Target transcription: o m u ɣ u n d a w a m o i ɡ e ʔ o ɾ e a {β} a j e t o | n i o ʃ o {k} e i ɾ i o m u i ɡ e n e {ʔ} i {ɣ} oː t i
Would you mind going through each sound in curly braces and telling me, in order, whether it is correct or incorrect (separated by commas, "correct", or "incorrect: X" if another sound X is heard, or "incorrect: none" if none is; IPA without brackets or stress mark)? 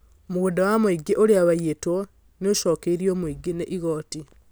correct, correct, correct, correct